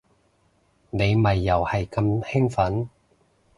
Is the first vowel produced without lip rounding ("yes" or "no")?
yes